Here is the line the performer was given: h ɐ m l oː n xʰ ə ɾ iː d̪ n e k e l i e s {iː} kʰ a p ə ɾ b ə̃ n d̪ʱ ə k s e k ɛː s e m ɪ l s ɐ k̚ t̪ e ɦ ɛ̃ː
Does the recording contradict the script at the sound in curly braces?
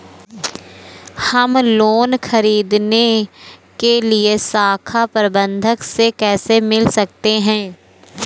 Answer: yes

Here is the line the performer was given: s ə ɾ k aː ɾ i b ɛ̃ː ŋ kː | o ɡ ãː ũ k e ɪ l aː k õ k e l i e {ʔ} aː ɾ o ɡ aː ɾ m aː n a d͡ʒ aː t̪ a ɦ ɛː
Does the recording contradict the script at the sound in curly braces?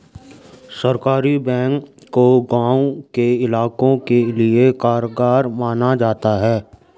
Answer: yes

